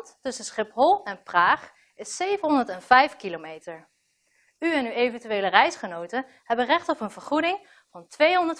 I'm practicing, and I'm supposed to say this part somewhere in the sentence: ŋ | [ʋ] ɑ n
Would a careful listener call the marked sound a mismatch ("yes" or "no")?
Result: yes